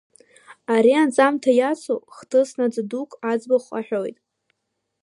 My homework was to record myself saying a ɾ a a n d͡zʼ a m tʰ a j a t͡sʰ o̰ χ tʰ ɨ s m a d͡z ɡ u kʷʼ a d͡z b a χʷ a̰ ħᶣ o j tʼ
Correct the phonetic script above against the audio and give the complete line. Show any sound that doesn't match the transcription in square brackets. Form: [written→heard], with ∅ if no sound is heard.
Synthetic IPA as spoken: a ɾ [a→i] a n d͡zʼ a m tʰ a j a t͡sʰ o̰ χ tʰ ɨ s [m→n] a d͡z [ɡ→d] u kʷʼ a d͡z b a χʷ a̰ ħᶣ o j tʼ